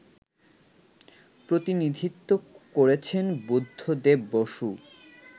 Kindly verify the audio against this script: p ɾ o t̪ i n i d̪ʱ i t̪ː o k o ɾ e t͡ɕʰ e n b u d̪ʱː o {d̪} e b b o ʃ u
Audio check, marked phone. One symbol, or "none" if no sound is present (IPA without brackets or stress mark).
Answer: d̪